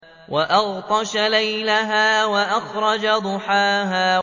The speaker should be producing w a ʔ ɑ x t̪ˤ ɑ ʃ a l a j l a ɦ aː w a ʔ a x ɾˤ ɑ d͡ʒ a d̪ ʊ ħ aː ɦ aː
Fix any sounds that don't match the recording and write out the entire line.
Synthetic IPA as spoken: w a ʔ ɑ ɣ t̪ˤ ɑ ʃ a l a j l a ɦ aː w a ʔ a x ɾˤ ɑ d͡ʒ a d̪ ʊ ħ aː ɦ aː